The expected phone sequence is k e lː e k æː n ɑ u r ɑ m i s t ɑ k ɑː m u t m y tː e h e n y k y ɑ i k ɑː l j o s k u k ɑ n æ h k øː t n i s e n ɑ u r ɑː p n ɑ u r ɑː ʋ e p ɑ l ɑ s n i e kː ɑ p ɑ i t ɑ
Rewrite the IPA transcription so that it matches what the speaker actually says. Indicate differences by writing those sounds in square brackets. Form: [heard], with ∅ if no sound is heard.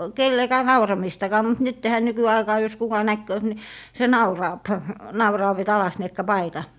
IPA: k e lː e k æː n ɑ u r ɑ m i s t ɑ k ɑː m u t [n] y tː e h [æ] n y k y ɑ i k ɑː [∅] j o s k u k ɑ n æ h k øː t n i s e n ɑ u r ɑː p n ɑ u r ɑː ʋ e [t] ɑ l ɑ s n i e kː ɑ p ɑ i t ɑ